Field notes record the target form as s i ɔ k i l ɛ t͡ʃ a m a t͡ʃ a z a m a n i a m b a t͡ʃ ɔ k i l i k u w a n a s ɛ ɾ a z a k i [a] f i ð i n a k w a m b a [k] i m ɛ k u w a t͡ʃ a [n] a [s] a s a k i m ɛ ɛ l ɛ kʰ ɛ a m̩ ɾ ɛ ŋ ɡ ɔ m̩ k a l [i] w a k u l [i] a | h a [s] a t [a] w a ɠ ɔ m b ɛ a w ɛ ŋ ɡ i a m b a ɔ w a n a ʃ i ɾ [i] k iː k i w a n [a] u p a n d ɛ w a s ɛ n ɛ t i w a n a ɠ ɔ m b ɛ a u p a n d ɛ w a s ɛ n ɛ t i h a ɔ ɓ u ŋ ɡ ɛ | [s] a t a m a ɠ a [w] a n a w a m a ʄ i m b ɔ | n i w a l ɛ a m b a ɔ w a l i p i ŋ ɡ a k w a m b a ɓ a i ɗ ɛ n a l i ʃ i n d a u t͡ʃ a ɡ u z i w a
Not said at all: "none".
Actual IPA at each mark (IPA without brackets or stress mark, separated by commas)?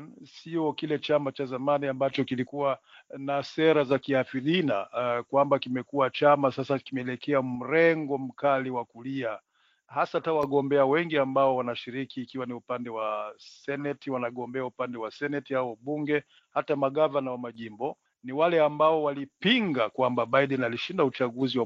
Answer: a, k, m, s, i, i, s, a, i, i, h, v